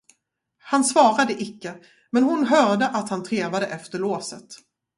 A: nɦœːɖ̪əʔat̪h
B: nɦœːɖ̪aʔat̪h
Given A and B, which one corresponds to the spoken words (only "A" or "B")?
A